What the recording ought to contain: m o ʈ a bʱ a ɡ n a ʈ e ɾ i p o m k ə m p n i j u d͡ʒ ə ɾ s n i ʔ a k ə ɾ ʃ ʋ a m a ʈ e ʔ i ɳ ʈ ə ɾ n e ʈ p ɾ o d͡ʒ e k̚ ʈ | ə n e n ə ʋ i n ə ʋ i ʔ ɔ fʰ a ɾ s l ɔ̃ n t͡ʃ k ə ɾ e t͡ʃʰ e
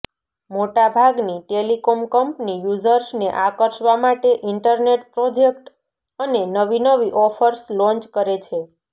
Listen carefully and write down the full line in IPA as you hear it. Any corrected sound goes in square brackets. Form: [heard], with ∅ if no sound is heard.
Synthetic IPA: m o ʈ a bʱ a ɡ n [i] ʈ e [l] i [k] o m k ə m p n i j u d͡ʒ ə ɾ s n [e] ʔ a k ə ɾ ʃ ʋ a m a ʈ e ʔ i ɳ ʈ ə ɾ n e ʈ p ɾ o d͡ʒ e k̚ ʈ | ə n e n ə ʋ i n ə ʋ i ʔ ɔ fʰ [ə] ɾ s l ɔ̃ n t͡ʃ k ə ɾ e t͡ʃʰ e

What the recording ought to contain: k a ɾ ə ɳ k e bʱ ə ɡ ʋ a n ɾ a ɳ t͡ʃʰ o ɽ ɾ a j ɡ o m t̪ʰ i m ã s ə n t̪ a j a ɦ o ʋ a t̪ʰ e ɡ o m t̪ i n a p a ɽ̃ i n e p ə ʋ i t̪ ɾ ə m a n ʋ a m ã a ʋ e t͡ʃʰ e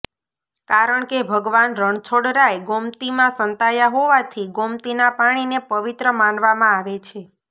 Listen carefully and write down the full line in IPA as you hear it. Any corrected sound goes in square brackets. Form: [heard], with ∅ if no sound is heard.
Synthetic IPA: k a ɾ ə ɳ k e bʱ ə ɡ ʋ a n ɾ [ə] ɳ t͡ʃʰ o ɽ ɾ a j ɡ o m [t̪] i m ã s ə n t̪ a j a ɦ o ʋ a t̪ʰ [i] ɡ o m t̪ i n a p a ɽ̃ i n e p ə ʋ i t̪ ɾ ə m a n ʋ a m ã a ʋ e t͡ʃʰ e

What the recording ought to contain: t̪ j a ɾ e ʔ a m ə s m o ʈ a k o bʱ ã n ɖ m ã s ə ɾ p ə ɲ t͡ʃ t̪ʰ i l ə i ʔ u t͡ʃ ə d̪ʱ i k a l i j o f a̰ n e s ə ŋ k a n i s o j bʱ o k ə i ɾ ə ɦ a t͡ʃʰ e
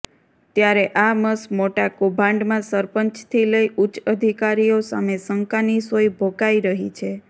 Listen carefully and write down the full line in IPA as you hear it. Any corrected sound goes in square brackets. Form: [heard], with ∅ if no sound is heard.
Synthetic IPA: t̪ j a ɾ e ʔ a m ə s m o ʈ a k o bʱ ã [ɳ] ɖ m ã s ə ɾ p ə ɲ t͡ʃ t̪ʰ i l ə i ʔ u t͡ʃ ə d̪ʱ i k a [ɾ] i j o [s] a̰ [m] e s ə ŋ k a n i s o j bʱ o k [a] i ɾ ə ɦ [i] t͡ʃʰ e

